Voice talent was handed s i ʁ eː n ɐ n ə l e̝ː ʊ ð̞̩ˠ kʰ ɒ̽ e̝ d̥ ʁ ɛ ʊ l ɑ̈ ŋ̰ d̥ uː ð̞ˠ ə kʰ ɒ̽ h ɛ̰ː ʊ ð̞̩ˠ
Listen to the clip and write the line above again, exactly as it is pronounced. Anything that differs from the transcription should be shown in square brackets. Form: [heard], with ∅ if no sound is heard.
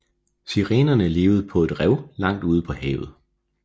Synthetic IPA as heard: s i ʁ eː n ɐ n ə l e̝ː ʊ ð̞̩ˠ [pʰ] ɒ̽ e̝ d̥ ʁ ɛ ʊ l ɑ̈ ŋ̰ d̥ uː ð̞ˠ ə [pʰ] ɒ̽ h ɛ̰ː ʊ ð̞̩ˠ

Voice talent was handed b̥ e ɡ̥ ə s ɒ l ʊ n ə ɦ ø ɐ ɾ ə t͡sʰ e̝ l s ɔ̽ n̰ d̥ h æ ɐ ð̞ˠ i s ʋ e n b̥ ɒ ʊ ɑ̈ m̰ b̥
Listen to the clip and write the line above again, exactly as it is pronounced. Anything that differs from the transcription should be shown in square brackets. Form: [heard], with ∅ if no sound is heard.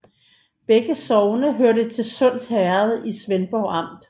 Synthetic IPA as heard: b̥ e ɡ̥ ə s ɒ [∅] ʊ n ə ɦ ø ɐ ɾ ə t͡sʰ e̝ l s ɔ̽ n̰ d̥ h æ ɐ ð̞ˠ i s ʋ e n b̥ ɒ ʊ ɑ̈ m̰ [d̥]

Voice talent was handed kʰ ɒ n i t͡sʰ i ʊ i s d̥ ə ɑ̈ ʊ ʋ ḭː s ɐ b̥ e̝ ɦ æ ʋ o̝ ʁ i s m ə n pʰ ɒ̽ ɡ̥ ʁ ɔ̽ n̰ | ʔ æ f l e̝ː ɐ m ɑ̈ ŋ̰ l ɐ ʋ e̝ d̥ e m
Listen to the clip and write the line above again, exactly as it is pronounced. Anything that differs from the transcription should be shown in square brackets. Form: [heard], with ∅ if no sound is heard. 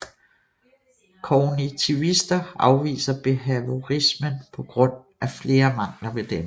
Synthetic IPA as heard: kʰ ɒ n i t͡sʰ i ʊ i s d̥ [ɐ] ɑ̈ ʊ ʋ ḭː s ɐ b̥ e̝ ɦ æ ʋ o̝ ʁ i s m ə n pʰ ɒ̽ ɡ̥ ʁ ɔ̽ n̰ | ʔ æ f l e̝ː ɐ m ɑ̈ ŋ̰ l ɐ ʋ e̝ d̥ e m

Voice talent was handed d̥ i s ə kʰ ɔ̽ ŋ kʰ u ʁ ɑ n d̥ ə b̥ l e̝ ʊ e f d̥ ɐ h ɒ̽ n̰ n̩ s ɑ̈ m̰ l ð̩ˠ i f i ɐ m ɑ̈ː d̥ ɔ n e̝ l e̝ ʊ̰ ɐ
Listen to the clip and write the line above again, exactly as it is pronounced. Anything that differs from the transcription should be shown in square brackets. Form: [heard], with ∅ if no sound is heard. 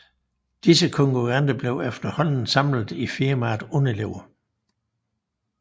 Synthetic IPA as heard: d̥ i s ə kʰ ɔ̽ ŋ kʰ u ʁ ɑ n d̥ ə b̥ l e̝ ʊ e f d̥ ɐ h ɒ̽ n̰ n̩ s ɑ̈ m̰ l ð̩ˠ i f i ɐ m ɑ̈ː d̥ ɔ n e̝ l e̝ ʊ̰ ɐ

